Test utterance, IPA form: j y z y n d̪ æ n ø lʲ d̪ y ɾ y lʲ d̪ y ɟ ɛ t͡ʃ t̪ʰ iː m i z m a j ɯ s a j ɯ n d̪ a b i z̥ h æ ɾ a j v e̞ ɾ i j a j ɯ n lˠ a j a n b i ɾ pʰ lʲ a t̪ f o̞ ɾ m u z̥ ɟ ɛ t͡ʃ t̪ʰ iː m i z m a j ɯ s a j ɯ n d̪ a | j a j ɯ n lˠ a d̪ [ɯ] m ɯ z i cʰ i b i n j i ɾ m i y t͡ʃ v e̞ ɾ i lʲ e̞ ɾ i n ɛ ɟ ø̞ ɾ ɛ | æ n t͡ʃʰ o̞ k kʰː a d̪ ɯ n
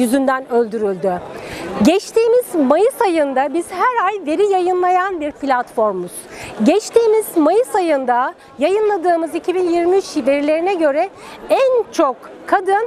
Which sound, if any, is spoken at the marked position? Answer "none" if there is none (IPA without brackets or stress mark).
ɯː